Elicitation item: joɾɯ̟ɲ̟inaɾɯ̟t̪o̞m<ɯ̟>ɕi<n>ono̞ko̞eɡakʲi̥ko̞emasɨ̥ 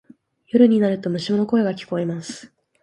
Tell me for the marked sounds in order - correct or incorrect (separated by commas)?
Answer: correct, incorrect